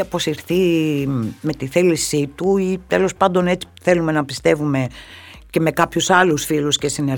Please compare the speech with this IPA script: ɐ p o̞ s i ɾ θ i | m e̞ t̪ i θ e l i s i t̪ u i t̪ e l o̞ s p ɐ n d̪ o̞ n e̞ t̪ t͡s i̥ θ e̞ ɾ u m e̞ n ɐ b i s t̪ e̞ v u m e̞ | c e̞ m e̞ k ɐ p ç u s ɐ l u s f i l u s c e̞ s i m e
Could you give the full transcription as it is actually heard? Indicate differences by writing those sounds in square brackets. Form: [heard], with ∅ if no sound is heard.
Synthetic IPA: ɐ p o̞ s i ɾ θ i | m e̞ t̪ i θ e l i s i t̪ u i t̪ e l o̞ s p ɐ n d̪ o̞ n e̞ [∅] t͡s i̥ θ e̞ [l] u m e̞ n ɐ [p] i s t̪ e̞ v u m e̞ | c e̞ m e̞ k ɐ p ç u s ɐ l u s f i l u s c e̞ s i [n] e